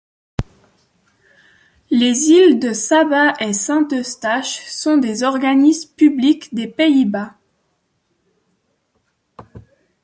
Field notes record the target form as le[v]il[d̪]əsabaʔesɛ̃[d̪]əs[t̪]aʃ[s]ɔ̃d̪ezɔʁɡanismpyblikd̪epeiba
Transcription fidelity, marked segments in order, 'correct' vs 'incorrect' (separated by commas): incorrect, correct, incorrect, correct, correct